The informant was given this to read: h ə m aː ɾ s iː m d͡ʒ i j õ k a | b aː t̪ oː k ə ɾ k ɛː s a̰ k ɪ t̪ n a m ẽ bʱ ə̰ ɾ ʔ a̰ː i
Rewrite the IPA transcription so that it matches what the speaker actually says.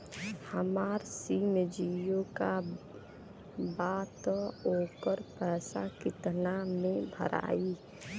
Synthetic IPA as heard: h ə m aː ɾ s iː m d͡ʒ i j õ k a | b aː t̪ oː k ə ɾ p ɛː s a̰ k ɪ t̪ n a m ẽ bʱ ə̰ ɾ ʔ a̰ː i

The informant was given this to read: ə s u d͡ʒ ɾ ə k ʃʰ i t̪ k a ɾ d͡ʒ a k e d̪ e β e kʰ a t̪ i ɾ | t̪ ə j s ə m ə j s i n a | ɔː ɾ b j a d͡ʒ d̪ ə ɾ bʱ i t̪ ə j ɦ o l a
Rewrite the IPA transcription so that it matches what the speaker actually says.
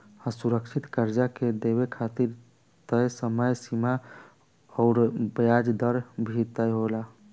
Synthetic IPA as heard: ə s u ɾ ə k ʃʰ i t̪ k ə ɾ d͡ʒ a k e d̪ e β e kʰ a t̪ i ɾ | t̪ ə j s ə m ə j s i m a | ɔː ɾ b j a d͡ʒ d̪ ə ɾ bʱ i t̪ ə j ɦ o l a

